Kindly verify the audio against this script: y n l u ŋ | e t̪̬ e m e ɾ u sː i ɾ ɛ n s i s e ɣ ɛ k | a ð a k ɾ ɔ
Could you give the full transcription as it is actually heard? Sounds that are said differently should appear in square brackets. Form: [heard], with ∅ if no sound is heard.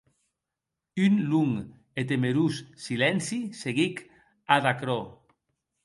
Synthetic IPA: y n l u ŋ | e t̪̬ e m e ɾ u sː i [l] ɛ n s i s e ɣ [i] k | a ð a k ɾ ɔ